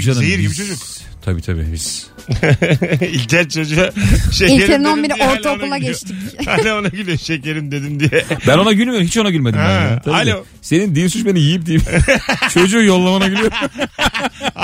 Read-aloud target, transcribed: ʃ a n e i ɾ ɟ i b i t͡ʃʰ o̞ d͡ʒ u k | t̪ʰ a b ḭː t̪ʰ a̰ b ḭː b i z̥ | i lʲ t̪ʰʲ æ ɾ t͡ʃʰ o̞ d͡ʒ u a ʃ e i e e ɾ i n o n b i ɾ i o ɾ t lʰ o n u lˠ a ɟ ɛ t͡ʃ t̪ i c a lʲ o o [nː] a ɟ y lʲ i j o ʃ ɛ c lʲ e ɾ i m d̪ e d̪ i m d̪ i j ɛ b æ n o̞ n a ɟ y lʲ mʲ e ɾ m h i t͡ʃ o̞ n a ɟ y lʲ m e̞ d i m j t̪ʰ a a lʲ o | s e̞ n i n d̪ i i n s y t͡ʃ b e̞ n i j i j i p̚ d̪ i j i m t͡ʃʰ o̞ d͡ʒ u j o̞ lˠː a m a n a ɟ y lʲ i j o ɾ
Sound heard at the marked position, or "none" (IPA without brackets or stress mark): n